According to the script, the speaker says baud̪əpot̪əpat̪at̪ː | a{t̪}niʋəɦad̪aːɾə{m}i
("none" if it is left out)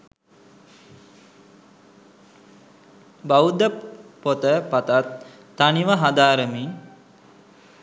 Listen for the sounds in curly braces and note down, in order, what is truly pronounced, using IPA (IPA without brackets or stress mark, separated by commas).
none, m